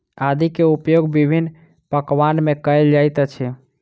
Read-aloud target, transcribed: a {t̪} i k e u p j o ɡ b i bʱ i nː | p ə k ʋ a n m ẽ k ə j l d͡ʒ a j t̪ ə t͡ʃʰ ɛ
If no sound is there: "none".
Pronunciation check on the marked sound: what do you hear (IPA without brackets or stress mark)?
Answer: d̪